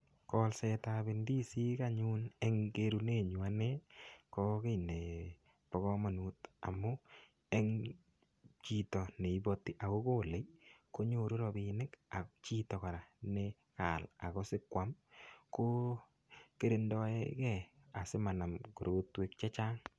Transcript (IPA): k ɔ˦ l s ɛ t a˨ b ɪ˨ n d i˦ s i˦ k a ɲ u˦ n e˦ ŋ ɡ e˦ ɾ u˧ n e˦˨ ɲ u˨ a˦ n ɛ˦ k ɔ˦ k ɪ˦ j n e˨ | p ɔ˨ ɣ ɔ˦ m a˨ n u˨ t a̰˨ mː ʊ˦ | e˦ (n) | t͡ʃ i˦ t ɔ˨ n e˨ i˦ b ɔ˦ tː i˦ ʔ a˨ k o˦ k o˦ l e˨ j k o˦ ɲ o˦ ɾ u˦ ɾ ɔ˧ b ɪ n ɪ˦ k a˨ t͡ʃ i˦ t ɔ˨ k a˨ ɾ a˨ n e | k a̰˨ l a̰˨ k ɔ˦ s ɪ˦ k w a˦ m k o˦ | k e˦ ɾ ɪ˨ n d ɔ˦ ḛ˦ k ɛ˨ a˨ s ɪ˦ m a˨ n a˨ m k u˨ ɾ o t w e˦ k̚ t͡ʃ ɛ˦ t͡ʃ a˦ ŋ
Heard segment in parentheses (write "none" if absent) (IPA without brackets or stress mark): ŋ